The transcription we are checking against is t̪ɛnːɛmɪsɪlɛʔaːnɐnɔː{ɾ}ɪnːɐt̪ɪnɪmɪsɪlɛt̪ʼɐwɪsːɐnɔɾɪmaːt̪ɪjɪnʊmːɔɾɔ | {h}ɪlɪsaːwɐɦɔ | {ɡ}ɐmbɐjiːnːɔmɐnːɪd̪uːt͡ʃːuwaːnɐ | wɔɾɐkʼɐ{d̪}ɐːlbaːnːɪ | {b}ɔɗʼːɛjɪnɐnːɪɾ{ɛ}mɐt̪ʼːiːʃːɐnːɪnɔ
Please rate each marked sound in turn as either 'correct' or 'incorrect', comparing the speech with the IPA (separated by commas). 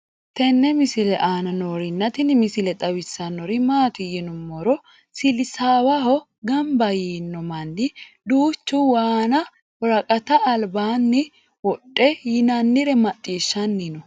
correct, incorrect, correct, incorrect, incorrect, correct